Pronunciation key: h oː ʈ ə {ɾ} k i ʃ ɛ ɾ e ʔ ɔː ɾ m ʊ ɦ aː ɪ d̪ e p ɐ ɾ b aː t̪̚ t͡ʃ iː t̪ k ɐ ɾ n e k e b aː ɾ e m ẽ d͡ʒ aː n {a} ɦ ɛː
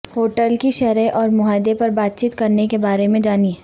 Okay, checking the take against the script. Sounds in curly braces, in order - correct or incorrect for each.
incorrect: l, incorrect: i

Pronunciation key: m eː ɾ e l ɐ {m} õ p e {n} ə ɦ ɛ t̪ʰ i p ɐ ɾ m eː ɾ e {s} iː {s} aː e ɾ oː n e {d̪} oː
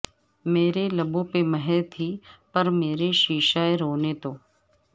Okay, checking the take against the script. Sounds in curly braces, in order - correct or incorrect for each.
incorrect: b, incorrect: m, incorrect: ʃ, incorrect: ʃ, incorrect: t̪

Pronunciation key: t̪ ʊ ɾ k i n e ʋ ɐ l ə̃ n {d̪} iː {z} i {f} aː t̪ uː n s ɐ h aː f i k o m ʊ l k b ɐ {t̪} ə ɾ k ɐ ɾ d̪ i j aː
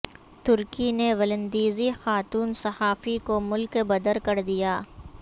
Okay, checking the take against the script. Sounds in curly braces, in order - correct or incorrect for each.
correct, correct, incorrect: x, incorrect: d̪

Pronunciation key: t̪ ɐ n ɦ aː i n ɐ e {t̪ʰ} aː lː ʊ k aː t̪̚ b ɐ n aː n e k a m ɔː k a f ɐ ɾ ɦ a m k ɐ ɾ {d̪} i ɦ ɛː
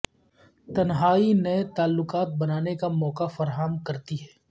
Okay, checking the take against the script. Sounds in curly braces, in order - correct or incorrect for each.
incorrect: t̪, incorrect: t̪

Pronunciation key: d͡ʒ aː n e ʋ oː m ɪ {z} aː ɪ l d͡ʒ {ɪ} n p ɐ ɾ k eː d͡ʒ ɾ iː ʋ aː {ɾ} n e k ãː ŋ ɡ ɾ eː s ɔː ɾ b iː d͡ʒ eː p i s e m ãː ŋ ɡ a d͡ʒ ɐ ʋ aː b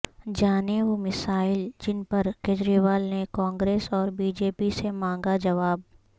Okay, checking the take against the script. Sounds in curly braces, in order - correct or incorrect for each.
incorrect: s, correct, incorrect: l

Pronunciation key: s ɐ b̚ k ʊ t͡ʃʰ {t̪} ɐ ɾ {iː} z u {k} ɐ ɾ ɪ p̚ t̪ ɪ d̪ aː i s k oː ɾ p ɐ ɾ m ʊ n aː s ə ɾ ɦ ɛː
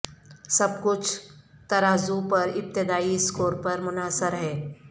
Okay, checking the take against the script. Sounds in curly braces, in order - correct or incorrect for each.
correct, incorrect: aː, incorrect: p

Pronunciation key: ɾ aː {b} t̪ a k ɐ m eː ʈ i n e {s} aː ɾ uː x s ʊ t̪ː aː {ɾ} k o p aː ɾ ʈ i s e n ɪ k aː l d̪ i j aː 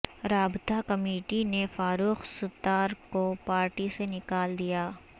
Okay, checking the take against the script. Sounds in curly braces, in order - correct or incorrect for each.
correct, incorrect: f, correct

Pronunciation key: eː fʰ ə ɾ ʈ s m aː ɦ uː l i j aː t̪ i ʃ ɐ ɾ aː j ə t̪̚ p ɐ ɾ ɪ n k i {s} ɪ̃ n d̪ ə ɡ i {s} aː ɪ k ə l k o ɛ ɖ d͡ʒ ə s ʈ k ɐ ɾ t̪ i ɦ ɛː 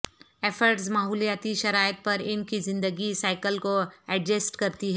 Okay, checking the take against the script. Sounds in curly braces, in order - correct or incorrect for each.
incorrect: z, correct

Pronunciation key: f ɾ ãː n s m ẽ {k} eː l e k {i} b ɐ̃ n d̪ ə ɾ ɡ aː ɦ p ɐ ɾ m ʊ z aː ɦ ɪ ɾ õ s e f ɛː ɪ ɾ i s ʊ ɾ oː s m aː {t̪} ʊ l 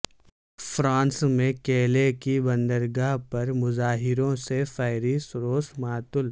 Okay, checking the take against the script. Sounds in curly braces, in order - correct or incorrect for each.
correct, correct, correct

